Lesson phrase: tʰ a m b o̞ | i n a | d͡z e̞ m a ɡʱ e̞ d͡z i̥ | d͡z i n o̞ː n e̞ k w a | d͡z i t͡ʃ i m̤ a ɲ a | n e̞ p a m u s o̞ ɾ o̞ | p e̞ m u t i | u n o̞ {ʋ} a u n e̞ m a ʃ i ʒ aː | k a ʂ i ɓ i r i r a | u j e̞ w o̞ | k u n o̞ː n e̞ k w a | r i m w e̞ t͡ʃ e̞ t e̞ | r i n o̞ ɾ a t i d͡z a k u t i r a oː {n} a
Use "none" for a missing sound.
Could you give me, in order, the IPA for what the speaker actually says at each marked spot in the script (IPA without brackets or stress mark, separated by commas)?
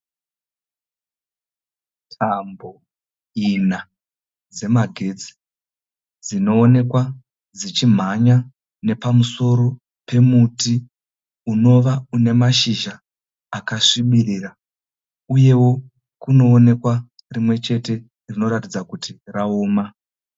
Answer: ʋ, m